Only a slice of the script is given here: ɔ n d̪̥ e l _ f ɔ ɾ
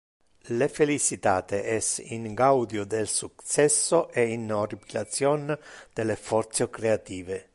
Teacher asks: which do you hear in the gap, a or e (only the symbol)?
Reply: e